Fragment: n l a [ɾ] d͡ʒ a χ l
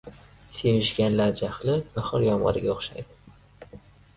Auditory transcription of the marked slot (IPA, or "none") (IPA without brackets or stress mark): ɾ